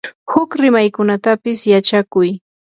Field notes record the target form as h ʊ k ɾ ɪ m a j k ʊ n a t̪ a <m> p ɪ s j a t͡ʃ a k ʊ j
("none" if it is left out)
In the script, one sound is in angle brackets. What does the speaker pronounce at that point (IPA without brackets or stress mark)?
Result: none